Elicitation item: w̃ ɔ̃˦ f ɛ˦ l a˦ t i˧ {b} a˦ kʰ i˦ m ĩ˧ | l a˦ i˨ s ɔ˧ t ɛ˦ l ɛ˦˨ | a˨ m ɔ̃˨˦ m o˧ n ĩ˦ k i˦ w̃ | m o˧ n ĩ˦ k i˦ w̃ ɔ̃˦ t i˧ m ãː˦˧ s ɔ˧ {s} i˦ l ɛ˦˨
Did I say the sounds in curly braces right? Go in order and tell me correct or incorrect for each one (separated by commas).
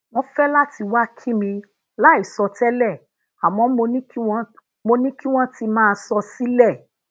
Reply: incorrect, correct